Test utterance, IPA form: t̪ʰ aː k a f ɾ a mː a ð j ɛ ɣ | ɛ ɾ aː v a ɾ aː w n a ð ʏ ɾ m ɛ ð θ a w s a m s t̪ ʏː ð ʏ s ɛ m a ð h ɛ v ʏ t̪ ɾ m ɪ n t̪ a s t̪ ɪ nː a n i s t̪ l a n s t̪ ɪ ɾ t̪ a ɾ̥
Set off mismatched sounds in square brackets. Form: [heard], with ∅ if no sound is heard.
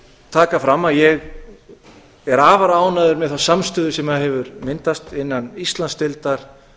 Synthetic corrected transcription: t̪ʰ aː k a f ɾ a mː a ð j ɛ ɣ | ɛ ɾ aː v a ɾ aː w n a ð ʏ ɾ m ɛ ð θ a w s a m s t̪ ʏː ð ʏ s ɛ m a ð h ɛ v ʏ [∅] ɾ m ɪ n t̪ a s t̪ ɪ nː a n i s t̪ l a n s t̪ ɪ [l] t̪ a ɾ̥